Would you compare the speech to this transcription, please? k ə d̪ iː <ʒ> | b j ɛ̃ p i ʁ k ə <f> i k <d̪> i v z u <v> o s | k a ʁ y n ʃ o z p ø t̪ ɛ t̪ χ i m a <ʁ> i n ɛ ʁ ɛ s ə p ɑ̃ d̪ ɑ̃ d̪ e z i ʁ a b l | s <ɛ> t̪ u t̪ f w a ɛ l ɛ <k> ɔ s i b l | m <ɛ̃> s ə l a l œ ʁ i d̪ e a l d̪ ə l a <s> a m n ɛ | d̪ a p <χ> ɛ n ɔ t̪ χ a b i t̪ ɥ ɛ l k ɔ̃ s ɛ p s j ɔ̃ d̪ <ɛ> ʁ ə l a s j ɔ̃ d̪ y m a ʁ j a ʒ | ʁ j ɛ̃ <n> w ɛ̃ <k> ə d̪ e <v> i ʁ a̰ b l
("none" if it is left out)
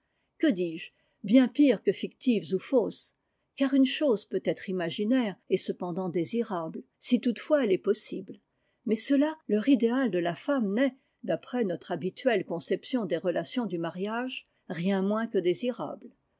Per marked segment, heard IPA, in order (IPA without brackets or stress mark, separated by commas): ʒ, f, t̪, f, ʒ, i, p, ɛ, f, χ, e, m, k, z